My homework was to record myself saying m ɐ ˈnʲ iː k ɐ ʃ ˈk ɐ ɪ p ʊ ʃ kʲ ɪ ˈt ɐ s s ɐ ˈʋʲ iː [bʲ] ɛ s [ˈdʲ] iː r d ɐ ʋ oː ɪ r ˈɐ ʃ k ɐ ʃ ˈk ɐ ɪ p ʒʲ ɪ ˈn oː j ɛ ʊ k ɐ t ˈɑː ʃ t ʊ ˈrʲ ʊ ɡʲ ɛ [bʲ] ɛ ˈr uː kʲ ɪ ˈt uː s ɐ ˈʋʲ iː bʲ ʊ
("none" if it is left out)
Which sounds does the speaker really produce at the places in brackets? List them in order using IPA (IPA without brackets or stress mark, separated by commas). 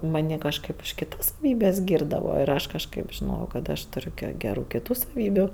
bʲ, ɡʲ, ɡʲ